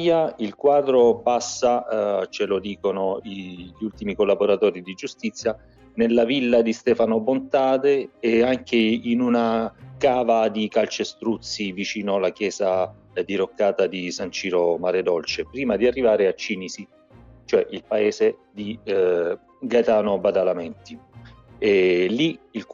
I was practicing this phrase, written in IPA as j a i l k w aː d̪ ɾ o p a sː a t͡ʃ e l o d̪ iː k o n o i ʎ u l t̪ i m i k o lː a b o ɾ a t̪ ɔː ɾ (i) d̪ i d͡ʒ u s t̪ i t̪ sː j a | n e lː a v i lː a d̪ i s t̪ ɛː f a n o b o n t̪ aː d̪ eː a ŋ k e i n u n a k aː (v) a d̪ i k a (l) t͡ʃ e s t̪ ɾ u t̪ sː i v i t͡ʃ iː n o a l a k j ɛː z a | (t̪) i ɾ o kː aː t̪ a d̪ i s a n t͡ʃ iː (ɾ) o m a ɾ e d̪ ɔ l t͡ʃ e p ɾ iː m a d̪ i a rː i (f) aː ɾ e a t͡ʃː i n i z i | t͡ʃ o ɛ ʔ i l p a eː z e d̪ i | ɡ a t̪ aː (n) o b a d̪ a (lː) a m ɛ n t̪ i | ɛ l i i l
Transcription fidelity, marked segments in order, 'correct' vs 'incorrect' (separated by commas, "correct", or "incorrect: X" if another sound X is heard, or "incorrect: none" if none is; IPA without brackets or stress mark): correct, correct, correct, incorrect: d̪, correct, incorrect: v, correct, incorrect: l